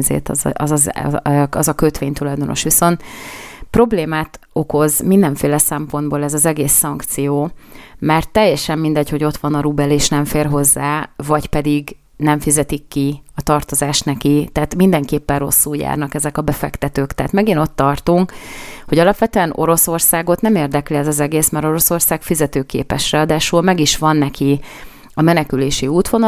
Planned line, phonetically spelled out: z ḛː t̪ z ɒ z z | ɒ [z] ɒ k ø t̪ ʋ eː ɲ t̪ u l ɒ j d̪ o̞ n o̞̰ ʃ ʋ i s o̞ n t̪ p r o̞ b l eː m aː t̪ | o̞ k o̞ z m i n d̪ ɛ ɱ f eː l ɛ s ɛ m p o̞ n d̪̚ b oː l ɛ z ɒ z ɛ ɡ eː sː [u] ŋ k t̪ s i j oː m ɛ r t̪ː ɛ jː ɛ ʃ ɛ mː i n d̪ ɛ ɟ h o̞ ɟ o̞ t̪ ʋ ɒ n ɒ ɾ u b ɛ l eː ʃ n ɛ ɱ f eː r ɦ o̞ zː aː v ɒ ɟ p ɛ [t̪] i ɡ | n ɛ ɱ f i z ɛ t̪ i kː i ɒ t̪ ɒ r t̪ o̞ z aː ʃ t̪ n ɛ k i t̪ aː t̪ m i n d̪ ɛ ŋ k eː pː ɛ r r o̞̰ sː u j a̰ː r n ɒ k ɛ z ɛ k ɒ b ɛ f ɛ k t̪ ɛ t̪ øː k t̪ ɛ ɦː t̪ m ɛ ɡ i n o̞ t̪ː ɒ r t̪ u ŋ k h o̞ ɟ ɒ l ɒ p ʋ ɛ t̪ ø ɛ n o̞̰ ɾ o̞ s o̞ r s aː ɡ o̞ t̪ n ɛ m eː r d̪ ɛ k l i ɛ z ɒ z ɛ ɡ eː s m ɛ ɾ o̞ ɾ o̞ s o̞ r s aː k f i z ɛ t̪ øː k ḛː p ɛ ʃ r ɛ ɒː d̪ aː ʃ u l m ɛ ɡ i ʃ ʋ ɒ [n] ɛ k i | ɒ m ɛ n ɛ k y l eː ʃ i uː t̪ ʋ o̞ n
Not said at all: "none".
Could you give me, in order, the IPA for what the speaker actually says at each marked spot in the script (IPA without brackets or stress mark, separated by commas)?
z, ɒ, d̪, nː